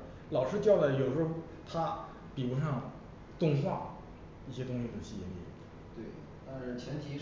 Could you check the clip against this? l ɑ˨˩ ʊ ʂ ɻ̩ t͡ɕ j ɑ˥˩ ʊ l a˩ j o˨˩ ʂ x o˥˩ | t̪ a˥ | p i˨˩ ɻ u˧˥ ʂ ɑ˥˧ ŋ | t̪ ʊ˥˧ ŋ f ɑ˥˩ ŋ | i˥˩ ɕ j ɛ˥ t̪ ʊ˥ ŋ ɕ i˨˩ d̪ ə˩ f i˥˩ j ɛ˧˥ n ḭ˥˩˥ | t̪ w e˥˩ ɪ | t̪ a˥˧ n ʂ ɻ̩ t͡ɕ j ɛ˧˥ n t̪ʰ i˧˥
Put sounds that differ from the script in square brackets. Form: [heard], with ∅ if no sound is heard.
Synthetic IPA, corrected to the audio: l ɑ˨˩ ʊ ʂ ɻ̩ t͡ɕ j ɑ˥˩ ʊ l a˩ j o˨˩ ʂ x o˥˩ | [t̪ʰ] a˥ | p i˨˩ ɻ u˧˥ ʂ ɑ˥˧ ŋ | t̪ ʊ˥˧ ŋ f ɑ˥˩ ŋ | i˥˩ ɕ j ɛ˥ t̪ ʊ˥ ŋ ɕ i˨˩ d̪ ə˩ [ɕ] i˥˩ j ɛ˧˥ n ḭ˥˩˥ | t̪ w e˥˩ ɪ | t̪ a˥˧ n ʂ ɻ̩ [t͡ɕʰ] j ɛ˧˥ n t̪ʰ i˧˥